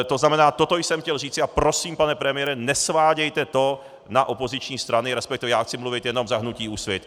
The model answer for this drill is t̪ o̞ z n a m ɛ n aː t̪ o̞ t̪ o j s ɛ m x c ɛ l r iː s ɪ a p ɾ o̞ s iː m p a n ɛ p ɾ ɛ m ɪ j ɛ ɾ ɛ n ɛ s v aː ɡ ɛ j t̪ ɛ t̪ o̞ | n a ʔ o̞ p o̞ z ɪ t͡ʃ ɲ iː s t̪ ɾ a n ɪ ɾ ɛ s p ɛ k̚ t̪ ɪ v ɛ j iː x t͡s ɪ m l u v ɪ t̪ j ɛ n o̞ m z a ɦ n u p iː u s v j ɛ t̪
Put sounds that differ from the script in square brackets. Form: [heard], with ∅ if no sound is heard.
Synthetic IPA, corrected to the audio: t̪ o̞ z n a m ɛ n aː t̪ o̞ t̪ o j s ɛ m x c ɛ l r iː [t͡s] ɪ a p ɾ o̞ s iː m p a n ɛ p ɾ ɛ m ɪ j ɛ ɾ ɛ n ɛ s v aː [ɟ] ɛ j t̪ ɛ t̪ o̞ | n a ʔ o̞ p o̞ z ɪ t͡ʃ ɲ iː s t̪ ɾ a n ɪ ɾ ɛ s p ɛ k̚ t̪ ɪ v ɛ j [aː] x t͡s ɪ m l u v ɪ t̪ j ɛ n o̞ m z a ɦ n u [c] iː u s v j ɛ t̪

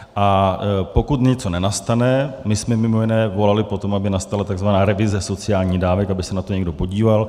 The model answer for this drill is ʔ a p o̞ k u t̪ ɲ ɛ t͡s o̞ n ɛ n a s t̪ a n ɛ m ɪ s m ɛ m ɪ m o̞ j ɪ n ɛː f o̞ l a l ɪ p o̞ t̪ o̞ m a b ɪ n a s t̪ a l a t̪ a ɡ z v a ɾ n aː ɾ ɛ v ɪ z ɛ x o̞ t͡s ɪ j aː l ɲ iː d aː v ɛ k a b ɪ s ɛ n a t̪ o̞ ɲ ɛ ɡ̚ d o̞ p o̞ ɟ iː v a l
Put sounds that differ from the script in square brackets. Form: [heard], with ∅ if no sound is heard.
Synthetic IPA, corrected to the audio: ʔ a p o̞ k u t̪ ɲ ɛ t͡s o̞ n ɛ n a s t̪ a n ɛ m ɪ s m ɛ m ɪ m o̞ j ɪ n ɛː [v] o̞ l a l ɪ p o̞ t̪ o̞ m a b ɪ n a s t̪ a l a t̪ a ɡ z v a [∅] n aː ɾ ɛ v ɪ z ɛ [s] o̞ t͡s ɪ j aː l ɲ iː d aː v ɛ k a b ɪ s ɛ n a t̪ o̞ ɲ ɛ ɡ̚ d o̞ p o̞ ɟ iː v a l

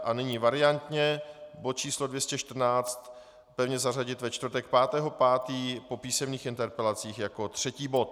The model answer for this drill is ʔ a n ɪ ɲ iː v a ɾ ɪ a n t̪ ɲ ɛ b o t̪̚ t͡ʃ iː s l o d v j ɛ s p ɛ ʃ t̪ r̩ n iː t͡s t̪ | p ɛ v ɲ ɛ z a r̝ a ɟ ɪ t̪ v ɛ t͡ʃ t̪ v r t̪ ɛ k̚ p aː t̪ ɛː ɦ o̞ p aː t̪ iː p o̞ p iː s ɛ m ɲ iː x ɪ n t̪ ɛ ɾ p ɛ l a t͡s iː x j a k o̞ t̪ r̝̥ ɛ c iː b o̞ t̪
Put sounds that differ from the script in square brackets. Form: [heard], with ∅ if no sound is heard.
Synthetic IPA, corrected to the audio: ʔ a n ɪ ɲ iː v a ɾ ɪ a n t̪ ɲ ɛ b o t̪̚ t͡ʃ iː s l o d v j ɛ s [c] ɛ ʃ t̪ r̩ n [aː] t͡s t̪ | p ɛ v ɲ ɛ z a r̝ a ɟ ɪ t̪ v ɛ t͡ʃ t̪ v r t̪ ɛ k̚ p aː t̪ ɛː ɦ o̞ p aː t̪ iː p o̞ p iː s ɛ m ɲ iː x ɪ n t̪ ɛ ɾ p ɛ l a t͡s iː x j a k o̞ t̪ r̝̥ ɛ c iː b o̞ t̪

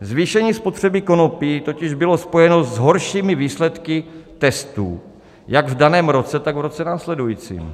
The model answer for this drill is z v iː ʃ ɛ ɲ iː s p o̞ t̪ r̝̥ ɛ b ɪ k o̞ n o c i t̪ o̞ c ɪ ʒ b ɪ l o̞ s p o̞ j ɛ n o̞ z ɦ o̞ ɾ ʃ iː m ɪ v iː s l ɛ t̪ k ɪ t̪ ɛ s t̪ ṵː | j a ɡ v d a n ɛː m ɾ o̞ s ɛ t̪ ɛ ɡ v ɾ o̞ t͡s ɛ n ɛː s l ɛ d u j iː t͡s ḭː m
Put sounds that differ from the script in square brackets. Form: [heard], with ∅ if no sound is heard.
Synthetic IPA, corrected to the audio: z v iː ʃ ɛ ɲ iː s p o̞ t̪ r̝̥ ɛ b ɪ k o̞ n o [p] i t̪ o̞ c ɪ ʒ b ɪ l o̞ s p o̞ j ɛ n o̞ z ɦ o̞ ɾ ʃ iː m ɪ v iː s l ɛ t̪ k ɪ t̪ ɛ s t̪ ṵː | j a ɡ v d a n ɛː m ɾ o̞ [t͡s] ɛ t̪ [a] ɡ v ɾ o̞ t͡s ɛ n [aː] s l ɛ d u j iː t͡s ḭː m

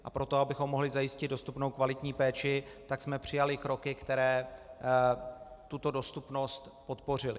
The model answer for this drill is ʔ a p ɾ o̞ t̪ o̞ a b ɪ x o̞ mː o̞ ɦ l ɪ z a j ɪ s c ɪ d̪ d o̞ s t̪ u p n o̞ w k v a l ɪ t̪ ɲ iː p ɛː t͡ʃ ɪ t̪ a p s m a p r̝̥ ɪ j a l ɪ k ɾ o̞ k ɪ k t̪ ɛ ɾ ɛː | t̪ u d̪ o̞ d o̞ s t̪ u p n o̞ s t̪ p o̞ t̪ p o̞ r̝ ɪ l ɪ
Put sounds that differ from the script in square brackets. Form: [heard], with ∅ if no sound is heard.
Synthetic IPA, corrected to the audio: ʔ a p ɾ o̞ t̪ o̞ a b ɪ x o̞ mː o̞ ɦ l ɪ z a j ɪ s c ɪ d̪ d o̞ s t̪ u p n o̞ w k v a l ɪ t̪ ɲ iː p ɛː t͡ʃ ɪ t̪ a [k] s m [ɛ] p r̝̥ ɪ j a l ɪ k ɾ o̞ k ɪ k t̪ ɛ ɾ ɛː | t̪ u [t̪] o̞ d o̞ s t̪ u p n o̞ s t̪ p o̞ t̪ p o̞ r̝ ɪ l ɪ

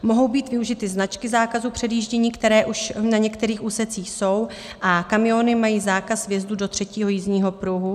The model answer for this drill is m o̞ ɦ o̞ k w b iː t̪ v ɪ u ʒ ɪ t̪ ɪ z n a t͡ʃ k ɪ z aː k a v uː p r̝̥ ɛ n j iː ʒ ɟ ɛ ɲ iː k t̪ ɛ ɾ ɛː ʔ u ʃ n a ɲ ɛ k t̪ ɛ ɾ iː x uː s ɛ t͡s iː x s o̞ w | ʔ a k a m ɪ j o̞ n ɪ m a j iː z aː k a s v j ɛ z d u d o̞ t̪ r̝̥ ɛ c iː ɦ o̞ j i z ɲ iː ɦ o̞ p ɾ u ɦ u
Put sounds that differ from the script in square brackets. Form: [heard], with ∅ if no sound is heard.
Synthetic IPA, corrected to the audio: m o̞ ɦ o̞ [∅] w b iː t̪ v ɪ u ʒ ɪ t̪ ɪ z n a t͡ʃ k ɪ z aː k a [z] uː p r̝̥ ɛ [d] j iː ʒ ɟ ɛ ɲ iː k t̪ ɛ ɾ ɛː ʔ u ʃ n a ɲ ɛ k t̪ ɛ ɾ iː x uː s ɛ t͡s iː x s o̞ w | ʔ a k a m ɪ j o̞ n ɪ m a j iː z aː k a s v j ɛ z d u d o̞ t̪ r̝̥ ɛ c iː ɦ o̞ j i z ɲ iː ɦ o̞ p ɾ u ɦ u

